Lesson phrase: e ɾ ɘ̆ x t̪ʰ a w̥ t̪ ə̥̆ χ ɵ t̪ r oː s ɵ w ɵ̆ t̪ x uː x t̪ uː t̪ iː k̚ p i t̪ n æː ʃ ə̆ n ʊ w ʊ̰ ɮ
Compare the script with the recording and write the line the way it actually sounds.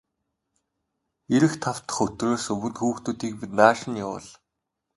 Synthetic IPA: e ɾ ɘ̆ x t̪ʰ a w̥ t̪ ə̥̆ χ ɵ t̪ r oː s ɵ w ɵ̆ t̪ x uː x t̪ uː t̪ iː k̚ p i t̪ n aː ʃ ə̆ n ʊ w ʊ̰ ɮ

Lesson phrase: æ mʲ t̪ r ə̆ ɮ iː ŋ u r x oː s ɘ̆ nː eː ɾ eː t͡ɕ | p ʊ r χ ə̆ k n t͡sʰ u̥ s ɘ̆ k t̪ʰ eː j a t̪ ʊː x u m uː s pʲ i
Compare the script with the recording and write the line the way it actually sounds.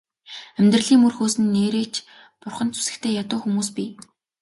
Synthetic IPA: æ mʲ t̪ r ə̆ ɮ iː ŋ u r x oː s ɘ̆ nː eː ɾ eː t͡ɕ | p ʊ r χ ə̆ n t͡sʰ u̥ s ɘ̆ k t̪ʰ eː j a t̪ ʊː x u m uː s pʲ i

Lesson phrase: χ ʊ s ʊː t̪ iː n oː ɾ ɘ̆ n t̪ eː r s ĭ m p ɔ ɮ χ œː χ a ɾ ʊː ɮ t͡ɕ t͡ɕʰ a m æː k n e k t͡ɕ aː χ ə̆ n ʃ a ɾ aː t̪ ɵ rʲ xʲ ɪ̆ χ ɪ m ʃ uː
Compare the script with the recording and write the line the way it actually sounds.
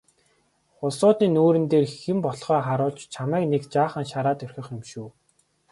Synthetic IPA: χ ʊ s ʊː t̪ iː n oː ɾ ɘ̆ n t̪ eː r x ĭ m p ɔ ɮ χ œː χ a ɾ ʊː ɮ t͡ɕ t͡ɕʰ a m æː k n e k t͡ɕ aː χ ə̆ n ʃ a ɾ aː t̪ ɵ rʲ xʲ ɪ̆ χ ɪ m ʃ uː

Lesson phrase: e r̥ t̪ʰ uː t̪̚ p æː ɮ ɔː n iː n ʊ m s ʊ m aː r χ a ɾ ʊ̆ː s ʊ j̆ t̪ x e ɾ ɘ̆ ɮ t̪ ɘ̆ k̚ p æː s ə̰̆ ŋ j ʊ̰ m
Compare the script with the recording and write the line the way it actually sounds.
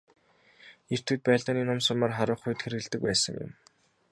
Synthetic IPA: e r̥ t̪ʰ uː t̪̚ p æː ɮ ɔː n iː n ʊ m s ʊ m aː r χ a ɾ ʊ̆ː χ ʊ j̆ t̪ x e ɾ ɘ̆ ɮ t̪ ɘ̆ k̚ p æː s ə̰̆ ŋ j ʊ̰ m

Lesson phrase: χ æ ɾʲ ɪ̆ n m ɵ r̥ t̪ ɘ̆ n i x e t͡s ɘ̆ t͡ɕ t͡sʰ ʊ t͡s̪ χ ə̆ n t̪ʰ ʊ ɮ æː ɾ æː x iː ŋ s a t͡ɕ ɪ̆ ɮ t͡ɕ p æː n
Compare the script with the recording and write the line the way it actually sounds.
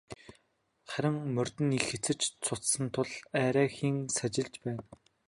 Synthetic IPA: χ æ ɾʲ ɪ̆ ŋ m ɵ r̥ t̪ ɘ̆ n i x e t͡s ɘ̆ t͡ɕ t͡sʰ ʊ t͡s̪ s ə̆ n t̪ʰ ʊ ɮ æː ɾ æː x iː ŋ s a t͡ɕ ɪ̆ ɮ t͡ɕ p æː n

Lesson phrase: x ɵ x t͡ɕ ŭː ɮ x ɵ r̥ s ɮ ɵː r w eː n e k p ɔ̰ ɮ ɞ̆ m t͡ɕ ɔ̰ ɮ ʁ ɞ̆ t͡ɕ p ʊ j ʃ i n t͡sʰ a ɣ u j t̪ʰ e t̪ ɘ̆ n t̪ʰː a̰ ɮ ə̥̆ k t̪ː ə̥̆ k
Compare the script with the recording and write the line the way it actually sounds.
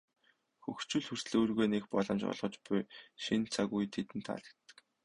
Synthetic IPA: x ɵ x t͡ɕ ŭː ɮ x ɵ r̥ s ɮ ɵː r ɣ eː n e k p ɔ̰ ɮ ɞ̆ m t͡ɕ ɔ̰ ɮ ʁ ɞ̆ t͡ɕ p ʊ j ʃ i n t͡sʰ a ɣ u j t̪ʰ e t̪ ɘ̆ n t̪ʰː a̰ ɮ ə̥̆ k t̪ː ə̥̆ k

